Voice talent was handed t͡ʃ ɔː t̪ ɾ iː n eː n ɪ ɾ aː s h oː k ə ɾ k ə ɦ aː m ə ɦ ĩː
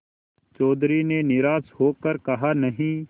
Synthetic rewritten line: t͡ʃ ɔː d̪ ɾ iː n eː n ɪ ɾ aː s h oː k ə ɾ k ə ɦ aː n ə ɦ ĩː